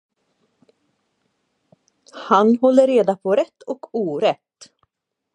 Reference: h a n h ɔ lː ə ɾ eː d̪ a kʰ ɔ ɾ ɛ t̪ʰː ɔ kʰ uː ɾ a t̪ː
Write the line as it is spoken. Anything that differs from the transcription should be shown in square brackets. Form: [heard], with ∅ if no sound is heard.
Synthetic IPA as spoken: h a n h ɔ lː ə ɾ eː d̪ a [pʰ] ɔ ɾ ɛ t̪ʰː ɔ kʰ uː ɾ [ɛ] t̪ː